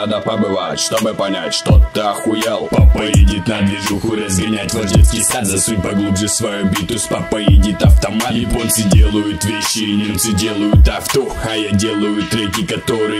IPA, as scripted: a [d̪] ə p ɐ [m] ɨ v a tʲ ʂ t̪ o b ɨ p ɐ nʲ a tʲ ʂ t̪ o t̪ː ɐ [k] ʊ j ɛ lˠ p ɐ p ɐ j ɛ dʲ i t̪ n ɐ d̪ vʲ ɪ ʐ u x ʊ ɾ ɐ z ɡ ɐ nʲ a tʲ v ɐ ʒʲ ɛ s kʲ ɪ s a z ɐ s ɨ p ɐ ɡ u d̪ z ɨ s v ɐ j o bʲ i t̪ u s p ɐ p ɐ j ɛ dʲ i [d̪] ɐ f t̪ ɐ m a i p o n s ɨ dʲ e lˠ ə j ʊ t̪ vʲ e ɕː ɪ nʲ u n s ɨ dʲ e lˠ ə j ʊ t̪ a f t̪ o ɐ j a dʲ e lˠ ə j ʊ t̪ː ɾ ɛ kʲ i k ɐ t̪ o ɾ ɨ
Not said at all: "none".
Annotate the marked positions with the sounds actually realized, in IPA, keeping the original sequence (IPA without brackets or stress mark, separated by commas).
d̪, b, x, t̪